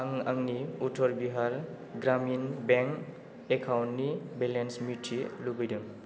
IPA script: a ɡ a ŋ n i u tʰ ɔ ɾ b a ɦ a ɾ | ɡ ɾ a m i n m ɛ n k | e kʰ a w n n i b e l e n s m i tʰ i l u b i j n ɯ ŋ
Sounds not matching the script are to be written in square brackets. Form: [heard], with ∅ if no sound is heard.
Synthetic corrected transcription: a [ŋ] a ŋ n i u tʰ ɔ ɾ b [i] ɦ a ɾ | ɡ ɾ a m i n [b] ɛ [ŋ] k | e kʰ a w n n i b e l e n s m i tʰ i l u b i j [d] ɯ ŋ